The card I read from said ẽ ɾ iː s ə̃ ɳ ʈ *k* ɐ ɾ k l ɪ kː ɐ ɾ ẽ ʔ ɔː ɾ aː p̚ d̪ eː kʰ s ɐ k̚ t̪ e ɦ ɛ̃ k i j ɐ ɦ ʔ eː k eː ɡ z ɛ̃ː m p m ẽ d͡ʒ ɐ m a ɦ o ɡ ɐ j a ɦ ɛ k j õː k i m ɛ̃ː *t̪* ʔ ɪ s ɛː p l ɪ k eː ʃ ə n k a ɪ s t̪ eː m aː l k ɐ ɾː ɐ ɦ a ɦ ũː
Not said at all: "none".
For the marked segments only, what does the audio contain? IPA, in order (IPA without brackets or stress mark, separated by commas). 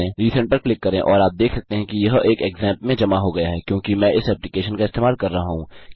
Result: p, none